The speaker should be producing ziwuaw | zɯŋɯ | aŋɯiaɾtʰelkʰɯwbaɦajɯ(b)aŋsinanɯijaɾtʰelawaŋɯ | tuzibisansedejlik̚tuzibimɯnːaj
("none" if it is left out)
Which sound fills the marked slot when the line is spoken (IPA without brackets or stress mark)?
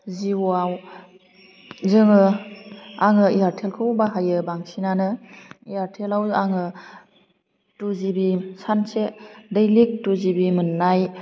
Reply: b